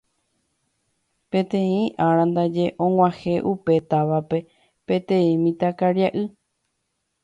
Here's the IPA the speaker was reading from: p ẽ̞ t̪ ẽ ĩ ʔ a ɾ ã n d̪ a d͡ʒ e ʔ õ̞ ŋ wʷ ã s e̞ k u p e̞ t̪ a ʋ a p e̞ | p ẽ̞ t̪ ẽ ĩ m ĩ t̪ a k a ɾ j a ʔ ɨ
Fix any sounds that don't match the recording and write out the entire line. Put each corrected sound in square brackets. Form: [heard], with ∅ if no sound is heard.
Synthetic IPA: p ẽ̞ t̪ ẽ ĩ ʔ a ɾ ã n d̪ a d͡ʒ e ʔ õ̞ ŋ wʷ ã [h] e̞ [ʔ] u p e̞ t̪ a ʋ a p e̞ | p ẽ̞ t̪ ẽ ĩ m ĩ t̪ a k a ɾ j a ʔ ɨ